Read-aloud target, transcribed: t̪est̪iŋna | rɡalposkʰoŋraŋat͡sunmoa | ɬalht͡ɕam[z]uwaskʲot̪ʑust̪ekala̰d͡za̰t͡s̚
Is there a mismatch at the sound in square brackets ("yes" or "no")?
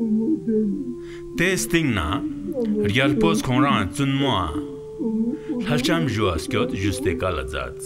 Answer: yes